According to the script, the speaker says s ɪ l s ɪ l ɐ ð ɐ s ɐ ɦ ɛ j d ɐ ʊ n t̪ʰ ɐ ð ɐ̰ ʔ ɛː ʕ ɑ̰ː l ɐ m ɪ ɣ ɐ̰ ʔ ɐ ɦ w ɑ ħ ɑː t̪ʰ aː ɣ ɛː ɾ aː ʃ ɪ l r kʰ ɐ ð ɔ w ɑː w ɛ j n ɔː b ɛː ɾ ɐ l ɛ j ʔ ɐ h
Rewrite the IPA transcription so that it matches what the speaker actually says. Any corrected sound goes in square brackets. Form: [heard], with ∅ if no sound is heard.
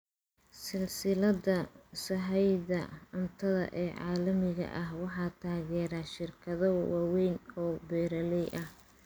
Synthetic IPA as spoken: s ɪ l s ɪ l ɐ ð ɐ s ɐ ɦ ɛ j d ɐ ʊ n t̪ʰ ɐ ð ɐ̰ ʔ ɛː ʕ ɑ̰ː l ɐ m ɪ ɣ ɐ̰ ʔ ɐ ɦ w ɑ ħ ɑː t̪ʰ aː ɣ ɛː ɾ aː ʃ ɪ [∅] r kʰ ɐ ð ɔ w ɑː w ɛ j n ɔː b ɛː ɾ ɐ l ɛ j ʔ ɐ h